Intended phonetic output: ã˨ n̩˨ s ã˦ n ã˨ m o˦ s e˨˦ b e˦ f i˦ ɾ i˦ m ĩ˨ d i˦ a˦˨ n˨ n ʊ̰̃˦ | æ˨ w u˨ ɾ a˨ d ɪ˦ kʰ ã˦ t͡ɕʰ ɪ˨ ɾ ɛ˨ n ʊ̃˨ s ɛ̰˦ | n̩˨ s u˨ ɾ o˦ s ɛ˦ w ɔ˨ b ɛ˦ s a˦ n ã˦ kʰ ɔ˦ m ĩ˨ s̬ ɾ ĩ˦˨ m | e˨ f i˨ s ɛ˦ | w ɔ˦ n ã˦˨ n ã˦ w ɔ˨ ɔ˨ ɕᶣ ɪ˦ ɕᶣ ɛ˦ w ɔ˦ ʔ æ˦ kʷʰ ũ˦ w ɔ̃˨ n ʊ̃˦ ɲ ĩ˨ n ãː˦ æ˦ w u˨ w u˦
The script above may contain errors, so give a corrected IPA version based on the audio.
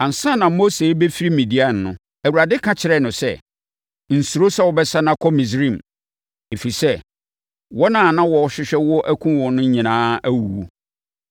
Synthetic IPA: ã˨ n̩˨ s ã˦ n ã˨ m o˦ s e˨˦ b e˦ f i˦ ɾ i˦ m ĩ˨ d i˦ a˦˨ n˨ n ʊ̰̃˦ | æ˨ w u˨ ɾ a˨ d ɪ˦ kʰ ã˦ t͡ɕʰ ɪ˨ ɾ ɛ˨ n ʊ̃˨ s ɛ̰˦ | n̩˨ s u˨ ɾ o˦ s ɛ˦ w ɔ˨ b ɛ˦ s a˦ n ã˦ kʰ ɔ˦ m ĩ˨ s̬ ɾ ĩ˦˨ m | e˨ f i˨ s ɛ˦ | w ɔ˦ n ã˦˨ n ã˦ w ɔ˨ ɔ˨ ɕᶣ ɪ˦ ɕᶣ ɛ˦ w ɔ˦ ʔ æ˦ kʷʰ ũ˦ w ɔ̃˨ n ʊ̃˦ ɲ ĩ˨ n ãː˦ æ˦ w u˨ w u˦